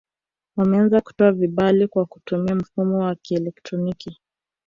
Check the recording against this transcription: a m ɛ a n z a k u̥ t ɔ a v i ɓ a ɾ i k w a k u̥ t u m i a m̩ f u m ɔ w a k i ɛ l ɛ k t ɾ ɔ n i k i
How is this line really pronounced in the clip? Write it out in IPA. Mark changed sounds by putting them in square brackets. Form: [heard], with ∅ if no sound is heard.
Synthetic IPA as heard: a m ɛ a n z a k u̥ t ɔ a v i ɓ a [l] i k w a k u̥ t u m i a m̩ f u m ɔ w a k i ɛ l ɛ k t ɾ ɔ n i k i